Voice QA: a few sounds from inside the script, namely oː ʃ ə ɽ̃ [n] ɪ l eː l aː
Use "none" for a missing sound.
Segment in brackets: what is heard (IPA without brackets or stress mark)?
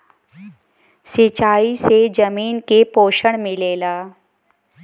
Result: m